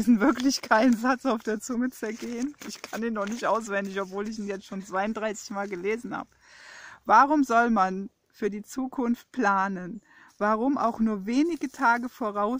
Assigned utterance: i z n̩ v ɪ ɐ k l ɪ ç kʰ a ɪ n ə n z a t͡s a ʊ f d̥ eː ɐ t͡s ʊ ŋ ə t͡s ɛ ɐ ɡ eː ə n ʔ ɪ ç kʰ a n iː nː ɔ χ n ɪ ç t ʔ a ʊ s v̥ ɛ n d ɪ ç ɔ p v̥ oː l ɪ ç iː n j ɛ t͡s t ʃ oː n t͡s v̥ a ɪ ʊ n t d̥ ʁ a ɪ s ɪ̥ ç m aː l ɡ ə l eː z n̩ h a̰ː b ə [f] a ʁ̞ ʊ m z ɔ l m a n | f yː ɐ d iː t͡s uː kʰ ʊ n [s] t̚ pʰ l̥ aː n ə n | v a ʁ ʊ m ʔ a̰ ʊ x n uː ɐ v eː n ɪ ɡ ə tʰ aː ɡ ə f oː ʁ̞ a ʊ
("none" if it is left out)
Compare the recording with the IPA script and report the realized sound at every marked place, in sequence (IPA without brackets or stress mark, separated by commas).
v, f